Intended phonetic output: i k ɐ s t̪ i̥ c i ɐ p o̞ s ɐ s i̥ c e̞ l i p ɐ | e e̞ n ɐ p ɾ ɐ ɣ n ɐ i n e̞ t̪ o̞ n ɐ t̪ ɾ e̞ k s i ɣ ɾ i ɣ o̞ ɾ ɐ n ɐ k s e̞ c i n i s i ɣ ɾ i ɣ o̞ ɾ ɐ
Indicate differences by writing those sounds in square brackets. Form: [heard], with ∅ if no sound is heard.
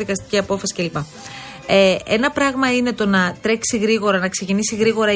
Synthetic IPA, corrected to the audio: i k ɐ s t̪ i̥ c i ɐ p o̞ [f] ɐ s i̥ c e̞ l i p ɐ | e e̞ n ɐ p ɾ ɐ ɣ [m] ɐ i n e̞ t̪ o̞ n ɐ t̪ ɾ e̞ k s i ɣ ɾ i ɣ o̞ ɾ ɐ n ɐ k s e̞ c i n i s i ɣ ɾ i ɣ o̞ ɾ ɐ